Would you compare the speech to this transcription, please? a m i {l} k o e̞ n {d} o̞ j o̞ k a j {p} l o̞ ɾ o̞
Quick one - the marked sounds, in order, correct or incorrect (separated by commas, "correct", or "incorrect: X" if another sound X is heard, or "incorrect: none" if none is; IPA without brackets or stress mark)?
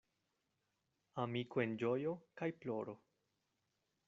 incorrect: none, incorrect: d͡ʒ, correct